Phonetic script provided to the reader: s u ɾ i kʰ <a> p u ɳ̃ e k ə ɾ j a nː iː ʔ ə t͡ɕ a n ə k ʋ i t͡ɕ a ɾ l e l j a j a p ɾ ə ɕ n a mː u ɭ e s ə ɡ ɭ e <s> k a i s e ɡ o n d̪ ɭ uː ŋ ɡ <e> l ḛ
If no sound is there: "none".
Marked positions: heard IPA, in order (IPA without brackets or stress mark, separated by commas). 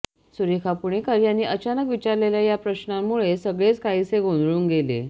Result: a, t͡s, e